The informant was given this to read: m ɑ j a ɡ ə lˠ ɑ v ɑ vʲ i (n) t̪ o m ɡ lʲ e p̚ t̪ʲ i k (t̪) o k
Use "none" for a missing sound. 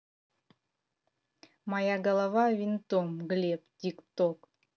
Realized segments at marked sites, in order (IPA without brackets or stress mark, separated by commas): n, t̪